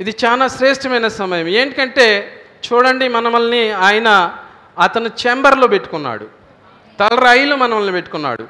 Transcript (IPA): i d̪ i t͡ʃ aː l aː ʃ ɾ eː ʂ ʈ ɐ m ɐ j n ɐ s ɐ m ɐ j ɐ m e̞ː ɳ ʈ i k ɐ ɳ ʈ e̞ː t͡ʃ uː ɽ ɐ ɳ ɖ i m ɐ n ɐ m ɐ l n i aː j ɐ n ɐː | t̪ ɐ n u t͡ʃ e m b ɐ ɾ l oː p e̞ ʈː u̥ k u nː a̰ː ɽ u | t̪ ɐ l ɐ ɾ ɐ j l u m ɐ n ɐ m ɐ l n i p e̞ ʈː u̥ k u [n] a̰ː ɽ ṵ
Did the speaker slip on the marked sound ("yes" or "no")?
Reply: yes